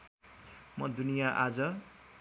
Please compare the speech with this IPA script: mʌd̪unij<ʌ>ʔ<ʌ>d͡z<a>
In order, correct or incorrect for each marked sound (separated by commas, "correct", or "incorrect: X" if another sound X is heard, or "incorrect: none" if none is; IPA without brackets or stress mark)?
incorrect: a, incorrect: a, incorrect: ʌ